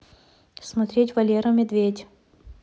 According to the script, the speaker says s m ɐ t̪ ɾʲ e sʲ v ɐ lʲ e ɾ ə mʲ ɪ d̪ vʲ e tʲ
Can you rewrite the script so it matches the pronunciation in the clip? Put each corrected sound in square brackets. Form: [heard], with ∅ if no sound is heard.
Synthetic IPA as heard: s m ɐ t̪ ɾʲ e [tʲ] v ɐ lʲ e ɾ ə mʲ ɪ d̪ vʲ e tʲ